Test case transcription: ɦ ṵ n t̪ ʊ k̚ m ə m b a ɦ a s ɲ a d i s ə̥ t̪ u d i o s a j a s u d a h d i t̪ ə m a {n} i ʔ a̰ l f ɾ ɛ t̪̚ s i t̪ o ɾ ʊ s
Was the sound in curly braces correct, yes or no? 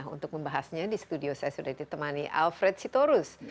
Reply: yes